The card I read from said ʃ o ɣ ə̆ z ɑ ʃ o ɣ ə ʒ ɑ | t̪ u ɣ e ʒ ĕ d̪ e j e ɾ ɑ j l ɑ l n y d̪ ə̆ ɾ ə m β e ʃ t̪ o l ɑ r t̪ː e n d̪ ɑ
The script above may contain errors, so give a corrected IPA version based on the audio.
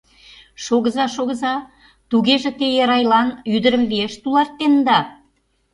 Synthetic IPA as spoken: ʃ o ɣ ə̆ z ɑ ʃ o ɣ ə z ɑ | t̪ u ɣ e ʒ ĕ t̪ e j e ɾ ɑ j l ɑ n y d̪ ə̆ ɾ ə m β e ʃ t̪ u l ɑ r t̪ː e n d̪ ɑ